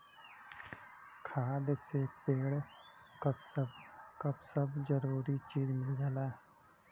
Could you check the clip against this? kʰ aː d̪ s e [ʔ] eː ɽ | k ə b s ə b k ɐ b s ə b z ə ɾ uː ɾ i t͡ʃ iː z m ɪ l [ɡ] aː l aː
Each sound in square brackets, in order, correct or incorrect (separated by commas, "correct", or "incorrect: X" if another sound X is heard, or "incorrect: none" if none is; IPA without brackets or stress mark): incorrect: p, correct